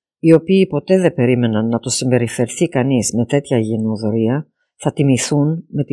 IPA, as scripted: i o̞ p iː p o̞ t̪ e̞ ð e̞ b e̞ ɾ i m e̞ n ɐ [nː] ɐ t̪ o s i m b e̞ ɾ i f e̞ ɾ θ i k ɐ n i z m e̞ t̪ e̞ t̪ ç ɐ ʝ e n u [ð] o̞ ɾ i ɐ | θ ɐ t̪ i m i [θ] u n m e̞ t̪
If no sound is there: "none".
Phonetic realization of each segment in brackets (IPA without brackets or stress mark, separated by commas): nː, ð, θ